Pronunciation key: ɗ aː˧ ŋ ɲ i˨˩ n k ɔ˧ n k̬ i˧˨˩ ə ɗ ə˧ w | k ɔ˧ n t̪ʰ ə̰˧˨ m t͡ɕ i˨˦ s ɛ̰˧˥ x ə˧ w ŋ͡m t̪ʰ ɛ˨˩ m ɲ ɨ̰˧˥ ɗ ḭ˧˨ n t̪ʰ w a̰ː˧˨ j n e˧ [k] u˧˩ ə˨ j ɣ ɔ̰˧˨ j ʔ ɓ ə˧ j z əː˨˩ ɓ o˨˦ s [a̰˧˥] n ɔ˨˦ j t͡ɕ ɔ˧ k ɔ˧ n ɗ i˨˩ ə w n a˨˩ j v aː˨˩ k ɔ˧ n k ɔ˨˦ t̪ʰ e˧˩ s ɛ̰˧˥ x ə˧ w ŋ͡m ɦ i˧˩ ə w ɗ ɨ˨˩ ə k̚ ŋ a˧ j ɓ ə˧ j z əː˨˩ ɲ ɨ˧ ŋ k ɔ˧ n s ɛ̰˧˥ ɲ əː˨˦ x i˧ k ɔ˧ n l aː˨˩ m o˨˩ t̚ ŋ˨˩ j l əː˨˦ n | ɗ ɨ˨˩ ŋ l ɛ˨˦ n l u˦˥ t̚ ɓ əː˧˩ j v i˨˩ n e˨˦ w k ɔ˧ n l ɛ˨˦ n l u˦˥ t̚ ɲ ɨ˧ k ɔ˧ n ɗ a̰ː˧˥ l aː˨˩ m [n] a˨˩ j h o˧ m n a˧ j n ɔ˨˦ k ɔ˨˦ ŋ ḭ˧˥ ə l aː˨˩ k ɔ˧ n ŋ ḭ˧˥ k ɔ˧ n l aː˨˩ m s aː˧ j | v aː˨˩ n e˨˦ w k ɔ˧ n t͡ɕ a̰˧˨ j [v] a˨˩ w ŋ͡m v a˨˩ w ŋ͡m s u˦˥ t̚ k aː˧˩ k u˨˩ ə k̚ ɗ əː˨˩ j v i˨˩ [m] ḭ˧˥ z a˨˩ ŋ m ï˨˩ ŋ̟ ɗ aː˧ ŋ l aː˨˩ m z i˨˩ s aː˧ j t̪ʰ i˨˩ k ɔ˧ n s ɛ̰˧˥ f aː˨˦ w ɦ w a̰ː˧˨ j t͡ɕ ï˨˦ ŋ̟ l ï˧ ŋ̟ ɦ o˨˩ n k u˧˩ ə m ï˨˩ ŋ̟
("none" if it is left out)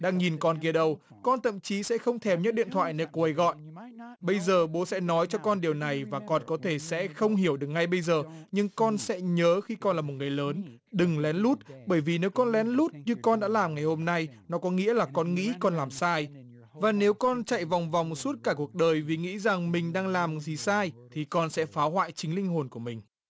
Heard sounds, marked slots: k, ɛ̰˧˥, ŋ, v, ŋ

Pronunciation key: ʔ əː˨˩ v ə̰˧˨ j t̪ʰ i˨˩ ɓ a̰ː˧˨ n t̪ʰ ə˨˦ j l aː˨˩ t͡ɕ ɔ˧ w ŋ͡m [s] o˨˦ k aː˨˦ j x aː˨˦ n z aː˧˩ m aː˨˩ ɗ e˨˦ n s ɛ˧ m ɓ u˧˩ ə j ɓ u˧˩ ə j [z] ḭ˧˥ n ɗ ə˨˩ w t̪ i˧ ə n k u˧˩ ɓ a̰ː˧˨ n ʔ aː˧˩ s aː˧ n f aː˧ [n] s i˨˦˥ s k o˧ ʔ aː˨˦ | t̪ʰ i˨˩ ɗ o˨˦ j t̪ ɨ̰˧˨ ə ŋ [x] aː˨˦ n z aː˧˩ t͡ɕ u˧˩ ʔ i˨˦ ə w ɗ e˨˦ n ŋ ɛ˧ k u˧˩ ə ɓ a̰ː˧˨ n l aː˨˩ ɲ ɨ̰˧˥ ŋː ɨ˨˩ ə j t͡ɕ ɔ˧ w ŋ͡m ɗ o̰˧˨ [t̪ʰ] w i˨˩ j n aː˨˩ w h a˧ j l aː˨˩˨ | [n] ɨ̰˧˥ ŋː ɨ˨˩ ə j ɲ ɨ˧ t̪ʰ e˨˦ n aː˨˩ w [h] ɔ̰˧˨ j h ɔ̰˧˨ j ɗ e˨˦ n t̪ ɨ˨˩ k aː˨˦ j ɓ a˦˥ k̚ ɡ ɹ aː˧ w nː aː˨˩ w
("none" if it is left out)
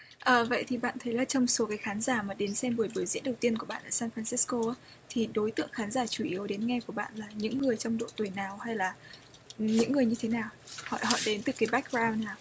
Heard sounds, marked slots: s, z, n, x, t̪, ɲ, h

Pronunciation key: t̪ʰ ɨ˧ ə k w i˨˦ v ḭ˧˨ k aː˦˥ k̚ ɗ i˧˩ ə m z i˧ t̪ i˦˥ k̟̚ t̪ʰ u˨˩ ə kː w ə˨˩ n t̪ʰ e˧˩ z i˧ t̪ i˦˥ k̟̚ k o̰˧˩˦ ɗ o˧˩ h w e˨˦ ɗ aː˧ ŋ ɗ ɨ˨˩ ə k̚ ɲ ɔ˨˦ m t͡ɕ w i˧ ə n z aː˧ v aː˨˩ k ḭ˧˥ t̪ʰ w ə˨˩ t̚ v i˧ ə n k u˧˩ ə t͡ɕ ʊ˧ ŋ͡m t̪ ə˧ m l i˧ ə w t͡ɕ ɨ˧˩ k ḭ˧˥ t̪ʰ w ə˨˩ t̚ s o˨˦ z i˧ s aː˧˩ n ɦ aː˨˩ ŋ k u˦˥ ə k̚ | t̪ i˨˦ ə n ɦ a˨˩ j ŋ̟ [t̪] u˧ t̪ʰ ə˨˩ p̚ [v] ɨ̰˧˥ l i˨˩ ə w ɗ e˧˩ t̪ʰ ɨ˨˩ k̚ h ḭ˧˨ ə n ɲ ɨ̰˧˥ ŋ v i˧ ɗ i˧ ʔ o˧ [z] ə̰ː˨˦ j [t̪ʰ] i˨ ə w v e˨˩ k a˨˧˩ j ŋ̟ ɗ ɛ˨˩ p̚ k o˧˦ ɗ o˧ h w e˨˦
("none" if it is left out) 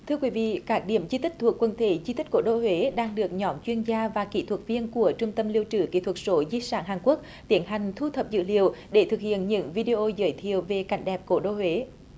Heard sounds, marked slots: t̪ʰ, z, z, t̪ʰ

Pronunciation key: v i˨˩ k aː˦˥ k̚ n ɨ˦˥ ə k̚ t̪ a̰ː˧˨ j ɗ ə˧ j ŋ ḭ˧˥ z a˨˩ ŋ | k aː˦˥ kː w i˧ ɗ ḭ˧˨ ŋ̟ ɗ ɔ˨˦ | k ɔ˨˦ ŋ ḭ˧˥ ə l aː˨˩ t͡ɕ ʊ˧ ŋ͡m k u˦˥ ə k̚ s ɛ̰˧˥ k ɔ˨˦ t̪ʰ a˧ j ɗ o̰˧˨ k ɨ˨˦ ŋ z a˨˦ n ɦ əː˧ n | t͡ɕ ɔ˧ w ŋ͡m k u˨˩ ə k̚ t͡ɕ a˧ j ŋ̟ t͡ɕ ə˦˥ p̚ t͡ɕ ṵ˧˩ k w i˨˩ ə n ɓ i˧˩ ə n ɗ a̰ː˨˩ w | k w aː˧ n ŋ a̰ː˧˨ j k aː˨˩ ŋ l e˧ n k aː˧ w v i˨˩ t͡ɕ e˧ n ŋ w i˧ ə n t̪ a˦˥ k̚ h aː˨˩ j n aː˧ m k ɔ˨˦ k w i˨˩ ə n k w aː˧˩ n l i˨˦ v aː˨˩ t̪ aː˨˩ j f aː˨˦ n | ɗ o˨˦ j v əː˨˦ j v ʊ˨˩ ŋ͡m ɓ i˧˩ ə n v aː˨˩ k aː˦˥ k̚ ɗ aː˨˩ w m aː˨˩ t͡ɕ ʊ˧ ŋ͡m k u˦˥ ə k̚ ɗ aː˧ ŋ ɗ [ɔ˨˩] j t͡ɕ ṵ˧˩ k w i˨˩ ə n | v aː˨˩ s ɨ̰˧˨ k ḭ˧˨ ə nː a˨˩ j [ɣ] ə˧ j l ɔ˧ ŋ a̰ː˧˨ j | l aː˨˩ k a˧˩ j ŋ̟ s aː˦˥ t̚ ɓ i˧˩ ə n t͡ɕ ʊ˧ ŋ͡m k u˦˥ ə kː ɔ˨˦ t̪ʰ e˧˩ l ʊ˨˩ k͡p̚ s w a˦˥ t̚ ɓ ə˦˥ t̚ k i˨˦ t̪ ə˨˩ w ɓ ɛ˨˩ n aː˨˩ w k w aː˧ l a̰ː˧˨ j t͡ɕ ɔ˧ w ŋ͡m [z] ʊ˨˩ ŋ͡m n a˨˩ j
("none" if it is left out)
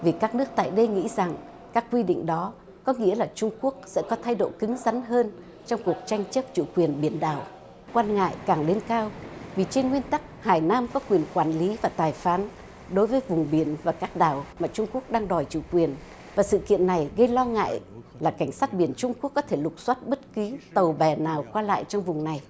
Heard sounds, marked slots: ɔ˨˩, ɣ, v

